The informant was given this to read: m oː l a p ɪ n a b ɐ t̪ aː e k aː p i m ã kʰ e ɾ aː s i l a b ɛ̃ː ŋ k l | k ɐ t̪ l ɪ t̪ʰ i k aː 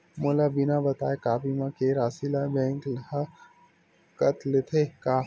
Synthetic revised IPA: m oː l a b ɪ n a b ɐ t̪ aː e k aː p i m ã k e ɾ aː s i l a b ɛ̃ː ŋ k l | k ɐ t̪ l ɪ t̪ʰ e k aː